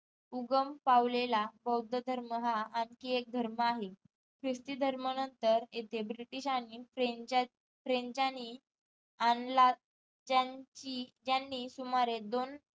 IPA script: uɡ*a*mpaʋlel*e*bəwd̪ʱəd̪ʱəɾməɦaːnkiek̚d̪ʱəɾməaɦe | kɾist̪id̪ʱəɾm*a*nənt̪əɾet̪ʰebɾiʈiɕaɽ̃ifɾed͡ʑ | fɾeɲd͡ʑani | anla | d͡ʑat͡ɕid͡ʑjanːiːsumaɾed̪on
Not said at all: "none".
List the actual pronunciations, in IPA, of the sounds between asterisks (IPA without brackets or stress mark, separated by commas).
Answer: ə, a, ə